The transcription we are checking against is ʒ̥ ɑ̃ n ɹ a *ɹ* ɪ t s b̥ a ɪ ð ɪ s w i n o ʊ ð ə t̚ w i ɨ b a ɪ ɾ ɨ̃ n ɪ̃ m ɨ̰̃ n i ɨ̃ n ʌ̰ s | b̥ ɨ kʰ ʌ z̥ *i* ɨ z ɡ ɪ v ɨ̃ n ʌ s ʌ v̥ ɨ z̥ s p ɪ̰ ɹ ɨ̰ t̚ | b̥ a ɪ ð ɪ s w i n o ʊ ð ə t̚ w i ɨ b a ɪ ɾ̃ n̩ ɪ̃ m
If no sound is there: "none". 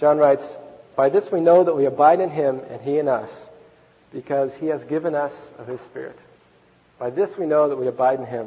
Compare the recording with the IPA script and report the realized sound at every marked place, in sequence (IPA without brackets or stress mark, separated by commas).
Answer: none, i